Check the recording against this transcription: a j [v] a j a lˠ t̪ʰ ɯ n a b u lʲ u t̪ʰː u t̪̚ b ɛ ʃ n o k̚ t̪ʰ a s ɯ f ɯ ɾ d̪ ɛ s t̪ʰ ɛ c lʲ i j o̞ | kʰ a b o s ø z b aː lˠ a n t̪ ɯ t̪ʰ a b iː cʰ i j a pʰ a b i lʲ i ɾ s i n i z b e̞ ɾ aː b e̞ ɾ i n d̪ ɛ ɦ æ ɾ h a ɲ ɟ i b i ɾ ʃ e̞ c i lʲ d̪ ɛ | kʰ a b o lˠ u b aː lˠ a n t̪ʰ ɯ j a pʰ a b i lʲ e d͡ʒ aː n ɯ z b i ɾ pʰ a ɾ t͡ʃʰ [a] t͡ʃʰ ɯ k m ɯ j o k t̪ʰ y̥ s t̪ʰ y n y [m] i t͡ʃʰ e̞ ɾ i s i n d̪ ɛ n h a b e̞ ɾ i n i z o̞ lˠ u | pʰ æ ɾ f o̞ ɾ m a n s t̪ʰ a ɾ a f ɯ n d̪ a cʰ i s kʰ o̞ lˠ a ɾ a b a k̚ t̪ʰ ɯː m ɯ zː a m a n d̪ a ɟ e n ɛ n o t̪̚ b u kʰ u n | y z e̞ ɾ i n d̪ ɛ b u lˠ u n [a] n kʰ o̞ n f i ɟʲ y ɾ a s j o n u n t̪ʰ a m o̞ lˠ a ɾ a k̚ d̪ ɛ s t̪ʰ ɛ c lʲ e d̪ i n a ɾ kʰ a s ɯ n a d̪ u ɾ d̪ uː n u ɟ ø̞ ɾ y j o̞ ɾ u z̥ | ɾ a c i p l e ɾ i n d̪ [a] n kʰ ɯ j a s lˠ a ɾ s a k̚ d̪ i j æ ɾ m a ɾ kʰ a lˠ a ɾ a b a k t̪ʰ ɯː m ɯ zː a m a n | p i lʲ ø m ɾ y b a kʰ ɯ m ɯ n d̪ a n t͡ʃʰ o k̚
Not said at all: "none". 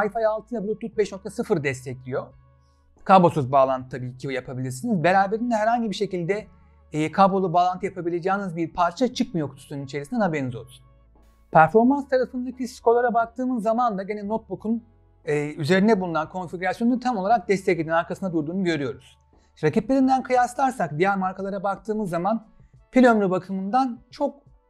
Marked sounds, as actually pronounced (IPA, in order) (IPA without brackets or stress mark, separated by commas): f, a, n, a, æ